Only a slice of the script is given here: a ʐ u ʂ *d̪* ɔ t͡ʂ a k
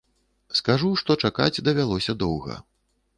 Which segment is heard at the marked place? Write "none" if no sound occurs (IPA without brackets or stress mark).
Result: t̪